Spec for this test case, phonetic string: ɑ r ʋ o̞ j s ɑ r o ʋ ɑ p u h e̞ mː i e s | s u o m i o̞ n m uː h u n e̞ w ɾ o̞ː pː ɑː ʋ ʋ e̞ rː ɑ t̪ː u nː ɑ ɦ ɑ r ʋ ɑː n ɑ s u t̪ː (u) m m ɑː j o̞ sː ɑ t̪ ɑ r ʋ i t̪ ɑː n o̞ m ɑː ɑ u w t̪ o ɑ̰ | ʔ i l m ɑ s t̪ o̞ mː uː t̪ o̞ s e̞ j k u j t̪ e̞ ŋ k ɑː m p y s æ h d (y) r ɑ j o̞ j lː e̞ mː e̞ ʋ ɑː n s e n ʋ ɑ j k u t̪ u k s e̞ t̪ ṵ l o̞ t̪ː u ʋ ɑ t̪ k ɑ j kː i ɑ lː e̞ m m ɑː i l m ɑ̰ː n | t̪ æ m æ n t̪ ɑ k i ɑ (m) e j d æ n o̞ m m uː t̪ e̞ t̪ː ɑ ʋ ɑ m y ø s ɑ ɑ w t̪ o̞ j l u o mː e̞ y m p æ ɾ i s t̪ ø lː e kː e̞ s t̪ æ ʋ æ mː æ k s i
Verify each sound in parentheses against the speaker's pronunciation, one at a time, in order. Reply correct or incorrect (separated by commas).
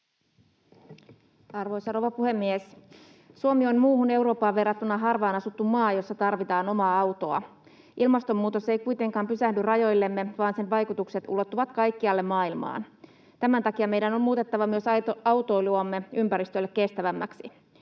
correct, correct, correct